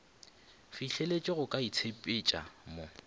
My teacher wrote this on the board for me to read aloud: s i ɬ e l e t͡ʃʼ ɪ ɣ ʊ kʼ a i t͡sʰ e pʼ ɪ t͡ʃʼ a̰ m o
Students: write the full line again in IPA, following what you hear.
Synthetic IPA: f i ɬ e l e t͡ʃʼ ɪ ɣ ʊ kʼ a i t͡sʰ e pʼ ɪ t͡ʃʼ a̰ m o